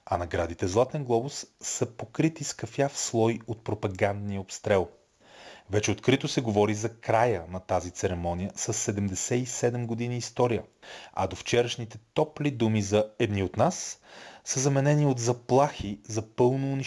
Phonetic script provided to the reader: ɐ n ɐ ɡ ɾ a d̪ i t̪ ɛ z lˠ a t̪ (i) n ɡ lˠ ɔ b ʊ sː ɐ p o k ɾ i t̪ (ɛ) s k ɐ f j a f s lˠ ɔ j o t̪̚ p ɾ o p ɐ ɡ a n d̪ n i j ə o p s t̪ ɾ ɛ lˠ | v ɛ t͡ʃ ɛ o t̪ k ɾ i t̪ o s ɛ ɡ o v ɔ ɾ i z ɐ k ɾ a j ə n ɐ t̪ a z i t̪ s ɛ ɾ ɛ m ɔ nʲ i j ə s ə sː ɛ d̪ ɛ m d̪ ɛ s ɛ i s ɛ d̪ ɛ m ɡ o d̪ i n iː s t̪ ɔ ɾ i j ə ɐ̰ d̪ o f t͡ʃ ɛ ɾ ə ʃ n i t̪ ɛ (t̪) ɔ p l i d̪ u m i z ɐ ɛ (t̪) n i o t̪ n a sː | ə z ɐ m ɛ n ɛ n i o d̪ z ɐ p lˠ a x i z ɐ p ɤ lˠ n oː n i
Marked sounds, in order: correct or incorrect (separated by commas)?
incorrect, incorrect, correct, incorrect